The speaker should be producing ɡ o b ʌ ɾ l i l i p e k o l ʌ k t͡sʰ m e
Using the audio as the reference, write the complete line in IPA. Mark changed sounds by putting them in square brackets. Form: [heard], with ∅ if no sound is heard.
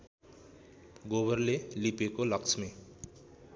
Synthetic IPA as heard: ɡ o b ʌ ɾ l [e] l i p e k o l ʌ k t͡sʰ m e